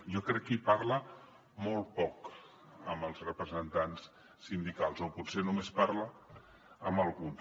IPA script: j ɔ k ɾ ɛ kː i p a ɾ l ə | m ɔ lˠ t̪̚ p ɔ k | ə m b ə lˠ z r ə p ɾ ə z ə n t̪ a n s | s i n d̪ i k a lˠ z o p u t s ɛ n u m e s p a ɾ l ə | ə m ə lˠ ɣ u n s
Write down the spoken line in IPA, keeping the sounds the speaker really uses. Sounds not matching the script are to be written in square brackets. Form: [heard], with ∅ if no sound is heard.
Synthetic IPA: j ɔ k ɾ ɛ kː i p a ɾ l ə | m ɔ lˠ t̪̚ p ɔ k | ə m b ə lˠ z r ə p ɾ ə z ə n t̪ a n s | s i n d̪ i k a lˠ z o p u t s [e] n u m e s p a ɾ l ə | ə m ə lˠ ɣ u n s